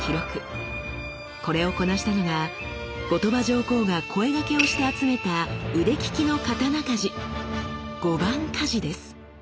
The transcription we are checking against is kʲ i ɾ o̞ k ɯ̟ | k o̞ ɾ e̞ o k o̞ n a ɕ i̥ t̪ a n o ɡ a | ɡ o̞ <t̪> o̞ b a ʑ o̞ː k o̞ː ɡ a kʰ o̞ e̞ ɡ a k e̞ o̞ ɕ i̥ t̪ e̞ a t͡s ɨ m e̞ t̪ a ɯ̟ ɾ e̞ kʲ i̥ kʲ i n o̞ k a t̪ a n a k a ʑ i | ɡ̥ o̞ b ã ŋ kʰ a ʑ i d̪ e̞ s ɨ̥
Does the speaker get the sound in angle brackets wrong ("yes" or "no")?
no